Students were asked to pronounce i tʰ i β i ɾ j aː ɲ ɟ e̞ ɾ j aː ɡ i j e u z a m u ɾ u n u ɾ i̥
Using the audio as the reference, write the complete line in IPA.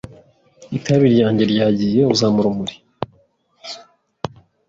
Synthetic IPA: i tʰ a β i ɾ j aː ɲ ɟ e̞ ɾ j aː ɟ i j e u z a m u ɾ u m u ɾ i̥